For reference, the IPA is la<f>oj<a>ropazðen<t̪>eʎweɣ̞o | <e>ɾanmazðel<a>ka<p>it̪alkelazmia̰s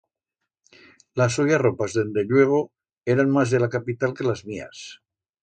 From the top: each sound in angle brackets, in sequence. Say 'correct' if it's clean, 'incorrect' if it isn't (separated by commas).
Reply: incorrect, correct, incorrect, correct, correct, correct